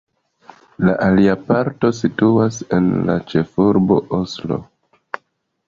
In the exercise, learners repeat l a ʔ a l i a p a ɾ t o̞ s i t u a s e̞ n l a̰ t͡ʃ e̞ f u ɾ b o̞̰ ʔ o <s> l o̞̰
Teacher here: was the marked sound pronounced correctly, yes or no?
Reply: yes